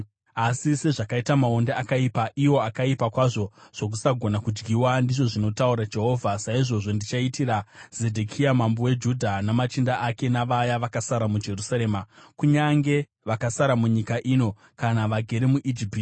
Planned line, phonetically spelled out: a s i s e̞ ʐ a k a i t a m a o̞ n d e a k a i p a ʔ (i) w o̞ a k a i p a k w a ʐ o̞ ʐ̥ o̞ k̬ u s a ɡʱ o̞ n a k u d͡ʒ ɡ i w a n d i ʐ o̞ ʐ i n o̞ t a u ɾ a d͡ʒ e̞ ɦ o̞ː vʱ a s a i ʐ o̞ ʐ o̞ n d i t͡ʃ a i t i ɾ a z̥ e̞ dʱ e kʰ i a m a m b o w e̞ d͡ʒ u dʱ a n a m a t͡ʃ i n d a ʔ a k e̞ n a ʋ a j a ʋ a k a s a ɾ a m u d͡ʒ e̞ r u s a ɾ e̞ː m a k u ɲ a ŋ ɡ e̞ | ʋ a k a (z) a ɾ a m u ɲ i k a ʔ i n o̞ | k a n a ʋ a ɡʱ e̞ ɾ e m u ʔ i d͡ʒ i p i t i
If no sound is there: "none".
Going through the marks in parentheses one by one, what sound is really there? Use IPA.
i, s

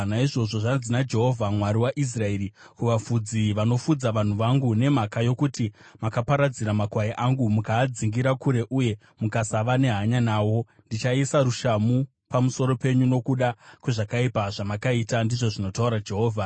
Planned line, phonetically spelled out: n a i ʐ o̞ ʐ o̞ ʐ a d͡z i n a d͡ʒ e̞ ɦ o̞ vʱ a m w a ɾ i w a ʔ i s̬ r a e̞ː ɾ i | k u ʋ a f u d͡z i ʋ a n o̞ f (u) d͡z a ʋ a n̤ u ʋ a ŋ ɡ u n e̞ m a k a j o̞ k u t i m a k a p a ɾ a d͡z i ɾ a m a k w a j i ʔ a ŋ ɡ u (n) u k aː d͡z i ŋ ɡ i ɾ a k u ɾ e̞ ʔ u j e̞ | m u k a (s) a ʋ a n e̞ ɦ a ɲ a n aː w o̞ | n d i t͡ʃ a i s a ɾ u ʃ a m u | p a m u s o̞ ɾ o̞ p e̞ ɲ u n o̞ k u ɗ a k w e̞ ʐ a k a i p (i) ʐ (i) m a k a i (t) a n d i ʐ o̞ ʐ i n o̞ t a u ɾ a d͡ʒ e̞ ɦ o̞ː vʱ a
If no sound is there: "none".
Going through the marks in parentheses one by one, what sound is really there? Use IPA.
u, m, s, a, a, t

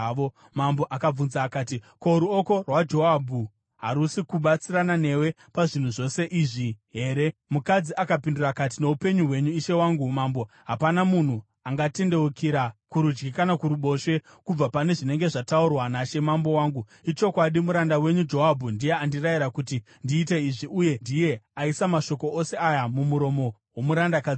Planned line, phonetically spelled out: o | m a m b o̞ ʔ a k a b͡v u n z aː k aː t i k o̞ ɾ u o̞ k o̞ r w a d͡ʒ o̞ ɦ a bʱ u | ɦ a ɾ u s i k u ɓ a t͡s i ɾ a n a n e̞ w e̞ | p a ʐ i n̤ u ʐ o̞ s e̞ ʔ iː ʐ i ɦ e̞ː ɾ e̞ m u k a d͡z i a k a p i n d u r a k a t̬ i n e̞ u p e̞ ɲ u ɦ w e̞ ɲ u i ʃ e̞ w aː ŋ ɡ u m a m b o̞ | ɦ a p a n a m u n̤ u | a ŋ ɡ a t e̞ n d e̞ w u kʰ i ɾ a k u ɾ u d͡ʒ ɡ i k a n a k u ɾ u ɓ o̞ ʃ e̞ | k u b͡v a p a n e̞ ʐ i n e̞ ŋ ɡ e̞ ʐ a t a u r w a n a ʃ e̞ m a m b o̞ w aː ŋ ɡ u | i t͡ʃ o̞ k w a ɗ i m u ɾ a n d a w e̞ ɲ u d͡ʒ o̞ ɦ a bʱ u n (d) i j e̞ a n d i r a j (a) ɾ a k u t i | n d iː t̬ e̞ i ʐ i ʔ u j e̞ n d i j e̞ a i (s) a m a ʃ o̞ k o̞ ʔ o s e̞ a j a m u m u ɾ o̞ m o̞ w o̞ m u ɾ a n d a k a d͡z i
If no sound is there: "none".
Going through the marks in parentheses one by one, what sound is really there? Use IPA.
d, i, s

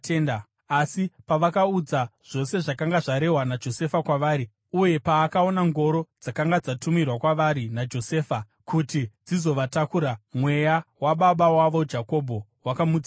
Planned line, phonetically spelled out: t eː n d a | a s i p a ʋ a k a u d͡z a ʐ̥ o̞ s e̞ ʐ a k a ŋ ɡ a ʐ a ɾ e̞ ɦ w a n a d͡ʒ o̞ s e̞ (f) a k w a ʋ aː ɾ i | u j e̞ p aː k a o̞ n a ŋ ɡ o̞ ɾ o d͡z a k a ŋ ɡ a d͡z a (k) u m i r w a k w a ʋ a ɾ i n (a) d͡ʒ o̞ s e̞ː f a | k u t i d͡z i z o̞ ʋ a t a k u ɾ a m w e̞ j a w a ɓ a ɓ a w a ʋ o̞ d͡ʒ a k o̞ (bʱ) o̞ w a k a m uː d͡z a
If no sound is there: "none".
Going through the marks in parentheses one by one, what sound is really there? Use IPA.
f, t, a, bʱ

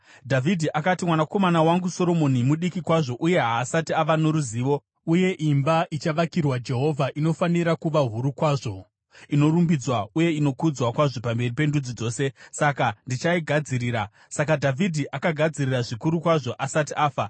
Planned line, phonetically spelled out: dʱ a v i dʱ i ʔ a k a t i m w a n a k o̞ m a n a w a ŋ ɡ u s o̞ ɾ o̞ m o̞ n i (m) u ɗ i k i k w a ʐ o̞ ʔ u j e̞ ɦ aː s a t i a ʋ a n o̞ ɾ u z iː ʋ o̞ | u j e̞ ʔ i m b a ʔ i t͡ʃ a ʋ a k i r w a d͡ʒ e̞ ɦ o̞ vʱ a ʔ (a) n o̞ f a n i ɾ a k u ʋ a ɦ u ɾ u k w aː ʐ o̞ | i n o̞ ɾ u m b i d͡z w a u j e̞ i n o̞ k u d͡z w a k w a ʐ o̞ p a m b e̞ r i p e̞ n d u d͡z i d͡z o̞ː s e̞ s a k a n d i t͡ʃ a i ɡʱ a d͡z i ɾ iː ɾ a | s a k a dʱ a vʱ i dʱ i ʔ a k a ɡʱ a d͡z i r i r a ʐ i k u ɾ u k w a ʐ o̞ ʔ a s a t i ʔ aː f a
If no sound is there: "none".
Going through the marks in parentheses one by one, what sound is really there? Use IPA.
m, i

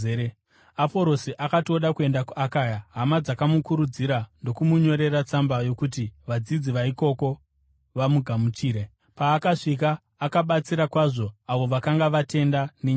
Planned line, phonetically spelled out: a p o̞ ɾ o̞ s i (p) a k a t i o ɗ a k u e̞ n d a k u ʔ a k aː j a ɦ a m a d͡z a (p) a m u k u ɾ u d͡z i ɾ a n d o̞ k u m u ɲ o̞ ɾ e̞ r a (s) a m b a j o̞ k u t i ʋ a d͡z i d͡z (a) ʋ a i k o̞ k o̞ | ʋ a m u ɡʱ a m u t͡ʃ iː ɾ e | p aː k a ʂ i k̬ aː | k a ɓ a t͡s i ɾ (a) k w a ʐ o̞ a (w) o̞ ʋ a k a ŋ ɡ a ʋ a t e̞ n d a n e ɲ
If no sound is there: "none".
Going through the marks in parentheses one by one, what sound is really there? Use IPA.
ʔ, k, t͡s, i, a, ʋ

